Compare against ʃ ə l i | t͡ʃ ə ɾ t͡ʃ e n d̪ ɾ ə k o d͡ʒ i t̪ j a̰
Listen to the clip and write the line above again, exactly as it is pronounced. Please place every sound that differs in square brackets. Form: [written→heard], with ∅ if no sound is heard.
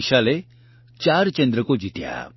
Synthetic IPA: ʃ [ə→a] l [i→e] | t͡ʃ [ə→a] ɾ t͡ʃ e n d̪ ɾ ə k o d͡ʒ i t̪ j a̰